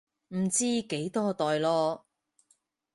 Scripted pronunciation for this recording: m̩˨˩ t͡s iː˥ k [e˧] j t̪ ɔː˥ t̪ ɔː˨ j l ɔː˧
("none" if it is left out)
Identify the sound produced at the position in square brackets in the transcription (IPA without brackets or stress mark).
e˨˥